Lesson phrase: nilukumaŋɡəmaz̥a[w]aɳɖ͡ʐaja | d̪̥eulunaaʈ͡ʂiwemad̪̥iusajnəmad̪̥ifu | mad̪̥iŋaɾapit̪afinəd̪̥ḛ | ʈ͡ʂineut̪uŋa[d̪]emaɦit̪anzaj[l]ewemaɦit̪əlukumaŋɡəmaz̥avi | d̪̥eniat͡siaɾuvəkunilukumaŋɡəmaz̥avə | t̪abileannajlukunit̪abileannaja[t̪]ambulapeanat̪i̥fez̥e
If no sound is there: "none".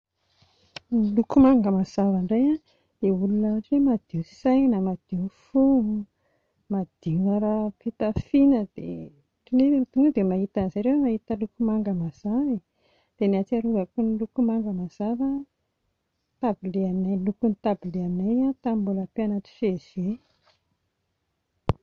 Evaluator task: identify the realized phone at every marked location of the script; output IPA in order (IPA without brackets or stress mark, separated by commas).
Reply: v, d̪, ɾ, t̪